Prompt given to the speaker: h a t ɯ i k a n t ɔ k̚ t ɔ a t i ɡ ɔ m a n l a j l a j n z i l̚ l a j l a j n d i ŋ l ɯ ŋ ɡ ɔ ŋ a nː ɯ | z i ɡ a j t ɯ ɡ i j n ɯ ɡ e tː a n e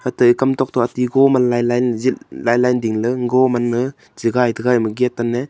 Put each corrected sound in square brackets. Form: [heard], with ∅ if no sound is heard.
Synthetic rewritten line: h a t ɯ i k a [m] t ɔ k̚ t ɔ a t i ɡ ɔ m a n l a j l a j n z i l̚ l a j l a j n d i ŋ l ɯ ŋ ɡ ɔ [m] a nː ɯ | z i ɡ a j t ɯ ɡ [a] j [m] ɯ ɡ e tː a n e